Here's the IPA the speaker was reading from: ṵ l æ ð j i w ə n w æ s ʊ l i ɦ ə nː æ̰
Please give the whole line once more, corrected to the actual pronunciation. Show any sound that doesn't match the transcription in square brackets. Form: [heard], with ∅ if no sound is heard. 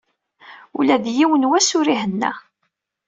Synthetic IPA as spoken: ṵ l æ ð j i w ə n w æ s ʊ [ɾ] i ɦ ə nː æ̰